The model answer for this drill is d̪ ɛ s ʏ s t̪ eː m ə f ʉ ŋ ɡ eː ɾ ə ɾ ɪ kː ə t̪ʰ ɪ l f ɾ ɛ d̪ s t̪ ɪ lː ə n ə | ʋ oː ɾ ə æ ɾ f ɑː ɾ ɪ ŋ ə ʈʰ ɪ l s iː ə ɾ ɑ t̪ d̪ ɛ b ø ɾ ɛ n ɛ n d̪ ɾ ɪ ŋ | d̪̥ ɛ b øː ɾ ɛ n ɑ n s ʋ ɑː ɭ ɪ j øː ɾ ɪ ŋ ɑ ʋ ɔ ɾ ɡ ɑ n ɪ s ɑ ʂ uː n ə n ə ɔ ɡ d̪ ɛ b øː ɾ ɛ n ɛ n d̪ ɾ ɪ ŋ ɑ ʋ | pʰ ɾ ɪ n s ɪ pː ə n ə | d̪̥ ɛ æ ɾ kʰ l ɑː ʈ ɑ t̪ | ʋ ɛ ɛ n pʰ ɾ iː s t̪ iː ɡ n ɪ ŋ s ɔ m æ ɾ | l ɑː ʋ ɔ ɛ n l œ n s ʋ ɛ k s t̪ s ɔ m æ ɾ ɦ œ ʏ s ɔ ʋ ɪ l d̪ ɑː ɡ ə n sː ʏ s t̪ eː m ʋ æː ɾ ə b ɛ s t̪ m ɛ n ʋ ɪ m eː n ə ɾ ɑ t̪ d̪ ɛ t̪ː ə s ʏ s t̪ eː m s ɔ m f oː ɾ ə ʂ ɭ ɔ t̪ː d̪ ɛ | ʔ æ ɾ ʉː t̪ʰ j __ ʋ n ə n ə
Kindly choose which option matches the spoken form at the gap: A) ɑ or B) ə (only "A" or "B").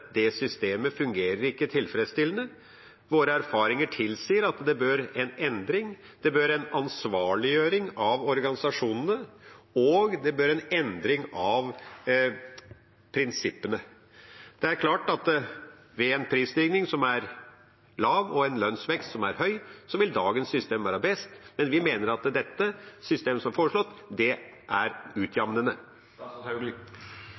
A